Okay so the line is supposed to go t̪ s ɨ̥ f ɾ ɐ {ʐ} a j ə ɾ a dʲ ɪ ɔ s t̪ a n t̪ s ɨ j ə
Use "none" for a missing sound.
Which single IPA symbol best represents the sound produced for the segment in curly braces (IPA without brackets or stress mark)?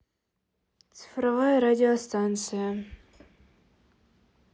v